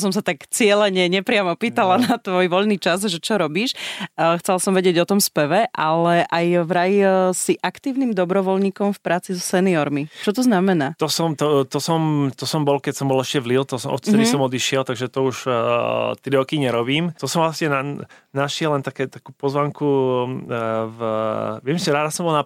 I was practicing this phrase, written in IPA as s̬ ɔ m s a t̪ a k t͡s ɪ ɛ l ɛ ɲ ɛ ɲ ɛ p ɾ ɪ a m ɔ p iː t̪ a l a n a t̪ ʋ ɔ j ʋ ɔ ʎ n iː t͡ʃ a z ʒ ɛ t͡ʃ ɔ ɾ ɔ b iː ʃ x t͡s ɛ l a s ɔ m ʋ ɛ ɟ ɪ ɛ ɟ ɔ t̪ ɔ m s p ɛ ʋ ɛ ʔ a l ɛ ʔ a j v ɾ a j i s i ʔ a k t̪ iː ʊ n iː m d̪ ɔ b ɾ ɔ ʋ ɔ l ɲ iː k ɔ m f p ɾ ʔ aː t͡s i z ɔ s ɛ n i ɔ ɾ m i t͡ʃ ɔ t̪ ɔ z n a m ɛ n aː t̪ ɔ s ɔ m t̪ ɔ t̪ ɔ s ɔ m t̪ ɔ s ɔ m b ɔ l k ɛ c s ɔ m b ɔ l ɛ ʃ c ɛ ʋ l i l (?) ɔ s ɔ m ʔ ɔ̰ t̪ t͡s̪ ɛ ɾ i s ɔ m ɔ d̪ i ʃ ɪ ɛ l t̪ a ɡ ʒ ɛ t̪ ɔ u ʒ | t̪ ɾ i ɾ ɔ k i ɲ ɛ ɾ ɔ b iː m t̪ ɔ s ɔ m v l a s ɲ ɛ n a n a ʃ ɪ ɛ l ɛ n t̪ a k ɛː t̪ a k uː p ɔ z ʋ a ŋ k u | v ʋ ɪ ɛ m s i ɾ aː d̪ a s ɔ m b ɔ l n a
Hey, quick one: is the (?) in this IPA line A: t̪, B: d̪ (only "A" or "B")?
A